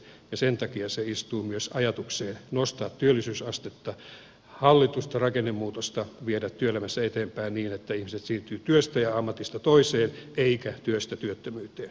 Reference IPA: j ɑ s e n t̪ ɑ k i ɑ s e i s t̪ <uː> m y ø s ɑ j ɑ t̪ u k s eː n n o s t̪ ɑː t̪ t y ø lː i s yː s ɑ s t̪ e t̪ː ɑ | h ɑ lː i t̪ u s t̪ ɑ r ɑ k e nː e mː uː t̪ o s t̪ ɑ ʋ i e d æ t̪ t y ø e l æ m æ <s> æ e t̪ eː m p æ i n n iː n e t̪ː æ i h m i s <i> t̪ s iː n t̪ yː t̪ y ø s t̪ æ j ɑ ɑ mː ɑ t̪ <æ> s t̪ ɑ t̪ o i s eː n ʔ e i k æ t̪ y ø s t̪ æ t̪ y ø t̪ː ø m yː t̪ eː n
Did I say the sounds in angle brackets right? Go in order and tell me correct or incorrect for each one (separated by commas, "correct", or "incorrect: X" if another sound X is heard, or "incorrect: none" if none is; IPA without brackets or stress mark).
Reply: correct, incorrect: sː, incorrect: e, incorrect: i